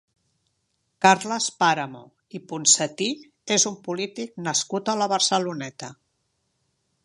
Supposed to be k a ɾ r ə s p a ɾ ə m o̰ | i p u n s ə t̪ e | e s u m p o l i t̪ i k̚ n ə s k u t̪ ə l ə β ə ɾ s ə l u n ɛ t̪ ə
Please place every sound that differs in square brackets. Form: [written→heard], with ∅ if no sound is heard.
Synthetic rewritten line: k a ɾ [r→l] ə s p a ɾ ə m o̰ | i p u n s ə t̪ [e→i] | e [s→z] u m p [o→u] l i t̪ i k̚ n ə s k u t̪ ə l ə β ə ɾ s ə l u n ɛ t̪ ə